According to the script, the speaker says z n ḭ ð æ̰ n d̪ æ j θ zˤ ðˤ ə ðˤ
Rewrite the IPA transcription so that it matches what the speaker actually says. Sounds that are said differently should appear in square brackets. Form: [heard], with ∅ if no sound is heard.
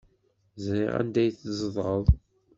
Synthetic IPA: z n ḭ [ʁ] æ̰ n d̪ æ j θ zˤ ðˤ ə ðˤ